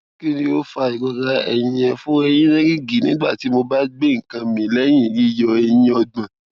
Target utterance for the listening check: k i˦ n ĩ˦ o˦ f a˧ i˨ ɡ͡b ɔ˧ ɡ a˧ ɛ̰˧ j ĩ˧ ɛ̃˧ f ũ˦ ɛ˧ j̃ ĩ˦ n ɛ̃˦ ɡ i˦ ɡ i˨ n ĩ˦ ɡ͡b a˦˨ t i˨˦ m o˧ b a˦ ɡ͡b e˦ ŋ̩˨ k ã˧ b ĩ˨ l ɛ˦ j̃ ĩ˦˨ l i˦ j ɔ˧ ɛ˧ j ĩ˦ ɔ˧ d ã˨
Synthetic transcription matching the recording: k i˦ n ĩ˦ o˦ f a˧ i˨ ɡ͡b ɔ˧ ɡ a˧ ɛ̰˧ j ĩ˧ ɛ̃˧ f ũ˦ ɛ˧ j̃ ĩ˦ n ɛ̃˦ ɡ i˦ ɡ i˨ n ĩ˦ ɡ͡b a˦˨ t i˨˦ m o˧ b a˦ ɡ͡b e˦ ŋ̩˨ k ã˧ m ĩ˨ l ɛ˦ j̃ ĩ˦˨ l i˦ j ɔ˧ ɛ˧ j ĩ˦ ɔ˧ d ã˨